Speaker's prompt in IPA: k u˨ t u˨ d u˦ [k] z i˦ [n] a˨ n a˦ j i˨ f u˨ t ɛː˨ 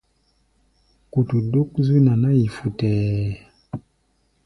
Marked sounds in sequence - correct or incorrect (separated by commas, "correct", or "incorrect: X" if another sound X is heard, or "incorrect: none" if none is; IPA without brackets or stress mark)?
correct, correct